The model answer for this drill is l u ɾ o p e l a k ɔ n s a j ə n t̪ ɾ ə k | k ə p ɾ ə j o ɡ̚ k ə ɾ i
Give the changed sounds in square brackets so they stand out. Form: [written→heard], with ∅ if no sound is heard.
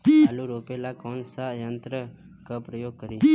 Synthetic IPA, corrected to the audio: l u ɾ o p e l a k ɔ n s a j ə n t̪ ɾ ə [k→∅] | k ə p ɾ ə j o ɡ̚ k ə ɾ i